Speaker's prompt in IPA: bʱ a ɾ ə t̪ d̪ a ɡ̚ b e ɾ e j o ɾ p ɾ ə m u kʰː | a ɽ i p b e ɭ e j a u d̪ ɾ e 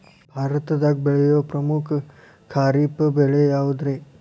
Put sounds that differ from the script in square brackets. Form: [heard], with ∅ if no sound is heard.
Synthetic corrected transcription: bʱ a ɾ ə t̪ d̪ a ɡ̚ b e [ɭ] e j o [∅] p ɾ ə m u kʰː | a [ɾ] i p b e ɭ e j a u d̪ ɾ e

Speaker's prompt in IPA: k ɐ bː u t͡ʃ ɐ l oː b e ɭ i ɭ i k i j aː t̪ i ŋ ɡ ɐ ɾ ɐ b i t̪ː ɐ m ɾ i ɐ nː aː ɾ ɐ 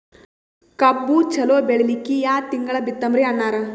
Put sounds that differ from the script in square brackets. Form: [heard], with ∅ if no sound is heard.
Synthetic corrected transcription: k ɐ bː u t͡ʃ ɐ l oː b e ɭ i [l] i k i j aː t̪ i ŋ ɡ ɐ [ɭ] ɐ b i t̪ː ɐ m ɾ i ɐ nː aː ɾ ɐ

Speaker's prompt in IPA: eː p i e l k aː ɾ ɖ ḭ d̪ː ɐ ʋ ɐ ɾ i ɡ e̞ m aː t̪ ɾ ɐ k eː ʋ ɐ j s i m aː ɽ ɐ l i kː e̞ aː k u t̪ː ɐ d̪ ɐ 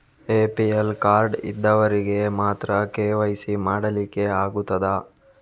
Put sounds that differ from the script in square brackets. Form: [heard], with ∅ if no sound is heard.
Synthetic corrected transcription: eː p i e l k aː ɾ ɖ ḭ d̪ː ɐ ʋ ɐ ɾ i ɡ e̞ m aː t̪ ɾ ɐ k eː ʋ ɐ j s i m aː ɽ ɐ l i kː e̞ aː [ɡ] u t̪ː ɐ d̪ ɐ

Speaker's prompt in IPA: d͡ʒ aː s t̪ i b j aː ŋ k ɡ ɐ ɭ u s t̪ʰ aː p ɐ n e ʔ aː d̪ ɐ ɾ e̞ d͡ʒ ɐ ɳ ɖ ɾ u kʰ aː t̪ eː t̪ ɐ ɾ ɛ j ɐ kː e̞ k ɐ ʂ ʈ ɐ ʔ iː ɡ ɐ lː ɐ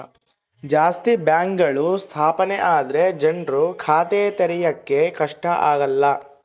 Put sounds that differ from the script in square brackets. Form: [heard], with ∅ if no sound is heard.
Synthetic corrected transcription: d͡ʒ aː s t̪ i b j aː ŋ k ɡ ɐ ɭ u s t̪ʰ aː p ɐ n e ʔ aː d̪ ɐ ɾ e̞ d͡ʒ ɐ ɳ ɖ ɾ u kʰ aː t̪ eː t̪ ɐ ɾ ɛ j ɐ kː e̞ k ɐ ʂ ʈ ɐ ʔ [aː] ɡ ɐ lː ɐ

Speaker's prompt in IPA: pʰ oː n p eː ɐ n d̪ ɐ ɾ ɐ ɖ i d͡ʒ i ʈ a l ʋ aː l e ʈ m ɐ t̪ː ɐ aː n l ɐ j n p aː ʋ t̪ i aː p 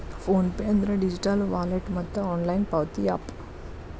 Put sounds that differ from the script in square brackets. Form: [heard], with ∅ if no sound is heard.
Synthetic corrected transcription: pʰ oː n p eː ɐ n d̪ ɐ ɾ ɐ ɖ i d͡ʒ i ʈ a l ʋ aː l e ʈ m ɐ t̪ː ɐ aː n l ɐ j n p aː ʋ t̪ i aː p

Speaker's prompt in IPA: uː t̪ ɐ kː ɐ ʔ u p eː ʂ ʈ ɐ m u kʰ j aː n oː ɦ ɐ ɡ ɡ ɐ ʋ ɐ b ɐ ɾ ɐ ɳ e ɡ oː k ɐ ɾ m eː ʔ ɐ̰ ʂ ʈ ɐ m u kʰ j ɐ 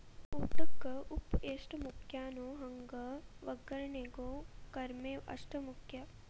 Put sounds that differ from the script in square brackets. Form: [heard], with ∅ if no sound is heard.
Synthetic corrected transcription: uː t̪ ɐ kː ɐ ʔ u p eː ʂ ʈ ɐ m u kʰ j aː n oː ɦ ɐ [ŋ] ɡ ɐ ʋ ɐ [ɡ] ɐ ɾ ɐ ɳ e ɡ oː k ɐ ɾ m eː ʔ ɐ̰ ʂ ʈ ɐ m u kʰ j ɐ

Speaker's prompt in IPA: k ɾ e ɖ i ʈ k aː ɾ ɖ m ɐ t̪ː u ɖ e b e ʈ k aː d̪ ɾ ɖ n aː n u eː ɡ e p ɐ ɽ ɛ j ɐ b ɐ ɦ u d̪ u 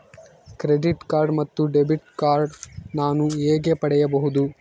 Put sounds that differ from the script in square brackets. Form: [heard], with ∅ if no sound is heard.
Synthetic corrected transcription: k ɾ e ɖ i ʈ k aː ɾ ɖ m ɐ t̪ː u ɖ e b [i] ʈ k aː [∅] ɾ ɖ n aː n u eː ɡ e p ɐ ɽ ɛ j ɐ b ɐ ɦ u d̪ u

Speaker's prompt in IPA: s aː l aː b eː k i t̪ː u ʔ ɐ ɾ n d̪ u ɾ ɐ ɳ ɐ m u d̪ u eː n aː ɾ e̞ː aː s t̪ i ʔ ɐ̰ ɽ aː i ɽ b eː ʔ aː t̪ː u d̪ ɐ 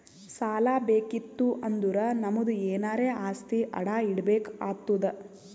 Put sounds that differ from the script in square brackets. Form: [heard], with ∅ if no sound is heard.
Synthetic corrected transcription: s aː l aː b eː k i t̪ː u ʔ ɐ [∅] n d̪ u ɾ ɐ [n] ɐ m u d̪ u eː n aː ɾ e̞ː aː s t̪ i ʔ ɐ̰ ɽ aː i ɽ b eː [k] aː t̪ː u d̪ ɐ

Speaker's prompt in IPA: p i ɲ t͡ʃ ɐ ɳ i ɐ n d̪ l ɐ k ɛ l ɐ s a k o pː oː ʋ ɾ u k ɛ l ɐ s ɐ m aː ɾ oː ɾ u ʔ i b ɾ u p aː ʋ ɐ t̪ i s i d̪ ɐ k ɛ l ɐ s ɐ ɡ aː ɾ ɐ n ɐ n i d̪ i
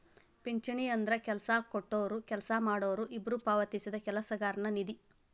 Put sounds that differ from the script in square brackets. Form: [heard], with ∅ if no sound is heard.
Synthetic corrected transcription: p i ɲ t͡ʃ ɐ ɳ i ɐ n d̪ [ɾ] ɐ k ɛ l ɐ s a k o [ʈː] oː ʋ ɾ u k ɛ l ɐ s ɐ m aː [ɽ] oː ɾ u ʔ i b ɾ u p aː ʋ ɐ t̪ i s i d̪ ɐ k ɛ l ɐ s ɐ ɡ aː ɾ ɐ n ɐ n i d̪ i

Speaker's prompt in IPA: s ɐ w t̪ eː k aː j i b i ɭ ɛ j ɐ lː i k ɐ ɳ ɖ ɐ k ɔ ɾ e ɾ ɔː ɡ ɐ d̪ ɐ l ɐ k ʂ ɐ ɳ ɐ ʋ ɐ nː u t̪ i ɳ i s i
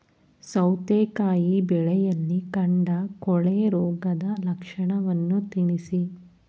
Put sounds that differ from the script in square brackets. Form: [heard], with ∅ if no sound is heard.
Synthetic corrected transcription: s ɐ w t̪ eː k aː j i b [ɛ] ɭ ɛ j ɐ lː i k ɐ ɳ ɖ ɐ k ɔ [ɭ] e ɾ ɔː ɡ ɐ d̪ ɐ l ɐ k ʂ ɐ ɳ ɐ ʋ ɐ nː u t̪ i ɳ i s i

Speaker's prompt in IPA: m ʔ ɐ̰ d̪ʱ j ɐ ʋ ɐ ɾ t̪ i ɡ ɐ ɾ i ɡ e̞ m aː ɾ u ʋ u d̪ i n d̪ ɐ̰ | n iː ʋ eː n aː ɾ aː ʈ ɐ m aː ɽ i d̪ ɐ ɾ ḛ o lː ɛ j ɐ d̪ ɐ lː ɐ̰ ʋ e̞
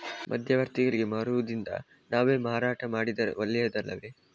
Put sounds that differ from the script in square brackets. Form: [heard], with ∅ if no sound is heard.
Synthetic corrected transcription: m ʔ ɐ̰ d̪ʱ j ɐ ʋ ɐ ɾ t̪ i ɡ ɐ [ɭ] i ɡ e̞ m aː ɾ u ʋ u d̪ i n d̪ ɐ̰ | n [aː] ʋ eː [m] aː ɾ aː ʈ ɐ m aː ɽ i d̪ ɐ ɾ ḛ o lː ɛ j ɐ d̪ ɐ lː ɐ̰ ʋ e̞

